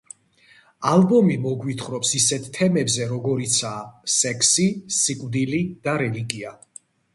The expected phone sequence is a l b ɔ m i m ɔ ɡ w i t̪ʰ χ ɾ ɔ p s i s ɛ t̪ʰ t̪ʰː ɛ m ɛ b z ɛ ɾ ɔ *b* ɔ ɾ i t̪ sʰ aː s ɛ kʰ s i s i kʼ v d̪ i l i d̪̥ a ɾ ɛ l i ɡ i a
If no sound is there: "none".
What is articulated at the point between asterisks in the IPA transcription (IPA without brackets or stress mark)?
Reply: ɡ